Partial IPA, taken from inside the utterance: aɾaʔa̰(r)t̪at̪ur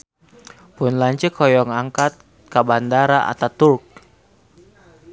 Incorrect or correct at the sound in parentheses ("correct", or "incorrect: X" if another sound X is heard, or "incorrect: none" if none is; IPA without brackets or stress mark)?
incorrect: none